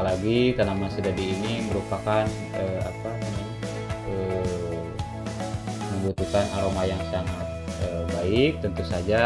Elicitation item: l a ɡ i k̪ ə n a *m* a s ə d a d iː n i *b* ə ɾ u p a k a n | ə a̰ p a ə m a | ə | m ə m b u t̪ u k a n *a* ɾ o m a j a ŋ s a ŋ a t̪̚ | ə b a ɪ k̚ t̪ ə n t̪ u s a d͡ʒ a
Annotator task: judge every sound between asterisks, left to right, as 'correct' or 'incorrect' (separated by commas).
correct, incorrect, correct